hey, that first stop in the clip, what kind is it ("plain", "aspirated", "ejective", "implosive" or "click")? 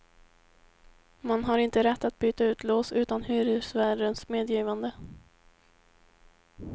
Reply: plain